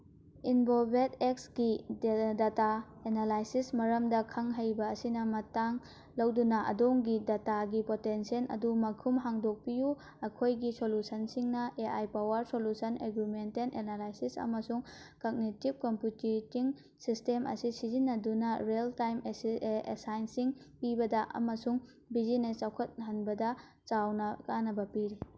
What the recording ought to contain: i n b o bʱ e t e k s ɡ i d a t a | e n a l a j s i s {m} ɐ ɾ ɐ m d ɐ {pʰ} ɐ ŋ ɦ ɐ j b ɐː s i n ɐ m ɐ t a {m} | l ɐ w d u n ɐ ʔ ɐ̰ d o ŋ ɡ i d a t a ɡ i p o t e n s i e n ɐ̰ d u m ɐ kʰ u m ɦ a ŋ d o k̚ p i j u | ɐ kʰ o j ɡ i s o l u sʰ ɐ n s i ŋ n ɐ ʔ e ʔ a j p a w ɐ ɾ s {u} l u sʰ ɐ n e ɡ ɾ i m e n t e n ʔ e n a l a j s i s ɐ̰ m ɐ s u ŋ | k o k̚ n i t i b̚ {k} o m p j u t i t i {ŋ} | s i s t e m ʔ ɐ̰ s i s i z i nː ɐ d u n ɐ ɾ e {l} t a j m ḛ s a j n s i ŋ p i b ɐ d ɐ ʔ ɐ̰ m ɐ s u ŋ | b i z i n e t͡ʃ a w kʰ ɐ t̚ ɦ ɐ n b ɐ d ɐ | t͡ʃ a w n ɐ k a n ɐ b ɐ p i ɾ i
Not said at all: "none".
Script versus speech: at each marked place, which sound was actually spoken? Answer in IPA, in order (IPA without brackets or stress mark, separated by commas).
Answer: m, kʰ, ŋ, o, k, ŋ, l